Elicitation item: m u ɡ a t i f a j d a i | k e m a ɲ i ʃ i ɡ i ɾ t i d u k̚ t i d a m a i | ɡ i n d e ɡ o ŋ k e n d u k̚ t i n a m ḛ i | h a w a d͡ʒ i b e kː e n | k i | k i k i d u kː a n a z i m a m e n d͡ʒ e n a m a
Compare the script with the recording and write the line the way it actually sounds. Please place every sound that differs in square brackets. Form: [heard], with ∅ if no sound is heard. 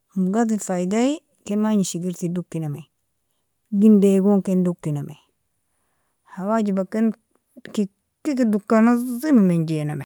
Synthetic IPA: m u ɡ a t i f a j d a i | k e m a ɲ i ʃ i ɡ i ɾ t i d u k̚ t i [n] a m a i | ɡ i n d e ɡ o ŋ k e n d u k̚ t i n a m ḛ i | h a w a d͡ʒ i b [a] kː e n | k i | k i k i d u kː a n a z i m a m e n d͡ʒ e n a m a